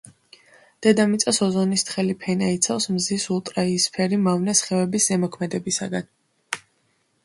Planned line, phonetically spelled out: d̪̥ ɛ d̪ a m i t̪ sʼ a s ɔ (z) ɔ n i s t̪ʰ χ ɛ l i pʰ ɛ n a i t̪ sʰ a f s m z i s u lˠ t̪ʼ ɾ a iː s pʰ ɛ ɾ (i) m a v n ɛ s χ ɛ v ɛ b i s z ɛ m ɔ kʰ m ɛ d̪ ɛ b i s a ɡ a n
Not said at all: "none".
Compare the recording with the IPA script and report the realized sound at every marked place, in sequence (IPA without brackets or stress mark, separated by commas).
z, i